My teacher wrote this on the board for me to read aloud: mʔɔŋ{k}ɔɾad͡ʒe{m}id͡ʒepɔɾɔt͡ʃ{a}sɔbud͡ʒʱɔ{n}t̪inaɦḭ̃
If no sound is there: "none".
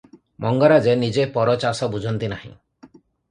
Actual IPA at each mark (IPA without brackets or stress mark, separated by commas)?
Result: ɡ, n, a, n